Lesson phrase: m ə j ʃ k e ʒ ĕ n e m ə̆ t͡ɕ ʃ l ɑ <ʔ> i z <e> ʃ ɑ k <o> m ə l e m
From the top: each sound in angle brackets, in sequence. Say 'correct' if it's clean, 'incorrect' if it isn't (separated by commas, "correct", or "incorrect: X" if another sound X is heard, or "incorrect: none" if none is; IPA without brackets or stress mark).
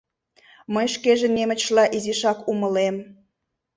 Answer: correct, incorrect: i, incorrect: u